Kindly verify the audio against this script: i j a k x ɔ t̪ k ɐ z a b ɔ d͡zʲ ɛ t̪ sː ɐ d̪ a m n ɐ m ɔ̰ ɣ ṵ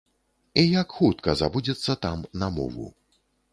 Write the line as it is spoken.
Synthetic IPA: i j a k x u t̪ k ɐ z a b u d͡zʲ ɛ t̪ sː ɐ t̪ a m n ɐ m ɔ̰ v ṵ